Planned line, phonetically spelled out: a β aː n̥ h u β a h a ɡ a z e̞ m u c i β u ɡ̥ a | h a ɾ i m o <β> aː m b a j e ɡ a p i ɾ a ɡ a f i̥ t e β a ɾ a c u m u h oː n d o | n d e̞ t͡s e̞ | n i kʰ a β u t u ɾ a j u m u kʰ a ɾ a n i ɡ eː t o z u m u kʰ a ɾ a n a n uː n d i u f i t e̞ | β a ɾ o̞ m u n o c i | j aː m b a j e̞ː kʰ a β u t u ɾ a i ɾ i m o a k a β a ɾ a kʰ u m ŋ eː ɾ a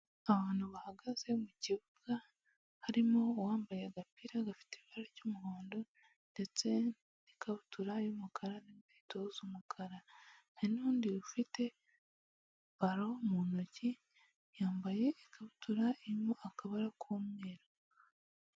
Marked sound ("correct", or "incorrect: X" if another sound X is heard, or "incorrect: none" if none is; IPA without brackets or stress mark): incorrect: w